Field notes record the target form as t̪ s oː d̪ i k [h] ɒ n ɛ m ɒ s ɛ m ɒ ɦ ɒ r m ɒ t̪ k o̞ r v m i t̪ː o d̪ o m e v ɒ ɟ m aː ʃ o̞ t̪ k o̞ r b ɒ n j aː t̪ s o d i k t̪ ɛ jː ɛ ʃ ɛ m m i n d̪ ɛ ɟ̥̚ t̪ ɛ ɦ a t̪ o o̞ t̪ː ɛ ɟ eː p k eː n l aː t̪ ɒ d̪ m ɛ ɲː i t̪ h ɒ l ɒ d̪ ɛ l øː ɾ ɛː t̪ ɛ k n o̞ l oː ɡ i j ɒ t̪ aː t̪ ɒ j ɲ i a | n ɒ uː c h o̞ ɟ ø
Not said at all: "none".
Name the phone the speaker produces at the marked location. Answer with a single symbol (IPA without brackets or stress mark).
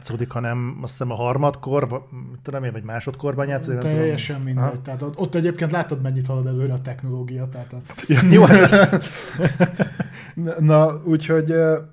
h